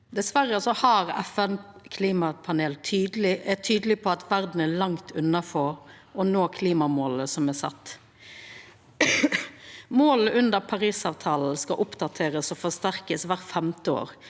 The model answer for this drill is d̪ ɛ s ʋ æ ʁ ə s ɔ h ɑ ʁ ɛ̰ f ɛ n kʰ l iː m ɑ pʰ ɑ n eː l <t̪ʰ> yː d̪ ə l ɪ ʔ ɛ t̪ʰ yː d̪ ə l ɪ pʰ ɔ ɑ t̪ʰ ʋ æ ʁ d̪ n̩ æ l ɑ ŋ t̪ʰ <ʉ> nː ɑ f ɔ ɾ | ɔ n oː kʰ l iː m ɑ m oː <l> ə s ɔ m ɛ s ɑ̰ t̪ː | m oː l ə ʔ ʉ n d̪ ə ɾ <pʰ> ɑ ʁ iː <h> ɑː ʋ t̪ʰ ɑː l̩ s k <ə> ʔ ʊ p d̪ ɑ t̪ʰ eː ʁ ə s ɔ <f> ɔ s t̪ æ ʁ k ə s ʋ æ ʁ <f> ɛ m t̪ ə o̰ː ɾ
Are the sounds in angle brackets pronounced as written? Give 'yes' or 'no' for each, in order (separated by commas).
yes, yes, yes, yes, no, no, yes, yes